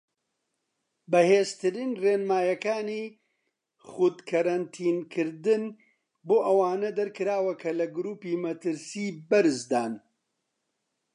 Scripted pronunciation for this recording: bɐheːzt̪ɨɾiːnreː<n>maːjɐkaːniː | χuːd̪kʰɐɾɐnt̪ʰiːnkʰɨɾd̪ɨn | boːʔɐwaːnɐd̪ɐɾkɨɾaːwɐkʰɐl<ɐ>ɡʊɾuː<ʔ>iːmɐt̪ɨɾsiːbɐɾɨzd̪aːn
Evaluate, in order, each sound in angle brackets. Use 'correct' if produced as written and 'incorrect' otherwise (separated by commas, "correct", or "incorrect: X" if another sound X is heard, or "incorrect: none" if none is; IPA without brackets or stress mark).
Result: correct, correct, incorrect: p